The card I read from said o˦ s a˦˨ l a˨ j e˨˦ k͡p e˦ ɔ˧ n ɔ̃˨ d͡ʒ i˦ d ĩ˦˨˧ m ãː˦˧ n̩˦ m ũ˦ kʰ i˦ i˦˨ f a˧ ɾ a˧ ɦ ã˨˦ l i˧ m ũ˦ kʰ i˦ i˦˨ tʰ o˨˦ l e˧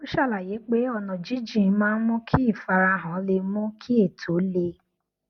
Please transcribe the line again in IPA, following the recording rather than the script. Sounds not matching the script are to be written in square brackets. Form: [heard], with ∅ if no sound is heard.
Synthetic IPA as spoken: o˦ [ʃ] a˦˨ l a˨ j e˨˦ k͡p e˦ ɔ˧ n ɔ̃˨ d͡ʒ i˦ [d͡ʒ] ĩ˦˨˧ m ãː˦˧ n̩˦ m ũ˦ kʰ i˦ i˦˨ f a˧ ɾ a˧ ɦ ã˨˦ l [e˧] m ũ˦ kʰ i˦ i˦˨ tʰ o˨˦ l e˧